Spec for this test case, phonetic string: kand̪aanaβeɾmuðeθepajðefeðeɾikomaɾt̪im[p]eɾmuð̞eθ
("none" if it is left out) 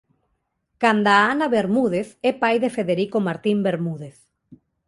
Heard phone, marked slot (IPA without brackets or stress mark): b